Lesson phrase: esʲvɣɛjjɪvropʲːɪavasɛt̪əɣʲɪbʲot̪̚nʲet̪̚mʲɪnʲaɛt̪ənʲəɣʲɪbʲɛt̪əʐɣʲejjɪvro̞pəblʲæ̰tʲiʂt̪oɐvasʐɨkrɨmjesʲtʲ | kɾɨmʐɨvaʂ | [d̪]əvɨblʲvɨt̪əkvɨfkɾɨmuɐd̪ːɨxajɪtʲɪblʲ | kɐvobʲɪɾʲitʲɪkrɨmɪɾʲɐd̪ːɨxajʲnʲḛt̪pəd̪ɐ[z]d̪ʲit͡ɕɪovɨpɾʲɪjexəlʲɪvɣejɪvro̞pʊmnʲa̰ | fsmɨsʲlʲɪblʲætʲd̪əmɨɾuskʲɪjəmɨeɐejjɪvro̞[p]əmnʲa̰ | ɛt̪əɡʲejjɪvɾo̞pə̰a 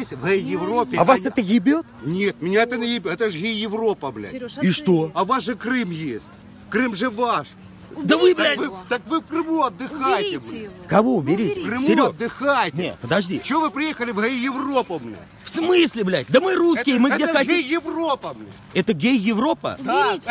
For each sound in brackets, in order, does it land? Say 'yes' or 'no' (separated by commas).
yes, no, yes